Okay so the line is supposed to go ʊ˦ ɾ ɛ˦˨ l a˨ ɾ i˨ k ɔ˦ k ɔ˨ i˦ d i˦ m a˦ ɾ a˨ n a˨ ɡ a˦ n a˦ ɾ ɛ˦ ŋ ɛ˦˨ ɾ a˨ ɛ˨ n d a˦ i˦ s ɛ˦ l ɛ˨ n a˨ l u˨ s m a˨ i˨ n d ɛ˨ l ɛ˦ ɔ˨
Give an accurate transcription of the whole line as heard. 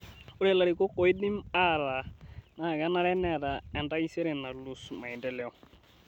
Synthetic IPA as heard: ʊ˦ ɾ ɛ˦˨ l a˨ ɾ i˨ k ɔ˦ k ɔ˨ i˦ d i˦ m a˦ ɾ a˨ n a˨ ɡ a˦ n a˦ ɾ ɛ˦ n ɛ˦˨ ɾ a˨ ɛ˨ n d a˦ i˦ s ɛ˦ ɾ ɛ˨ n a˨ l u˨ s m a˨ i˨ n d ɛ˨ l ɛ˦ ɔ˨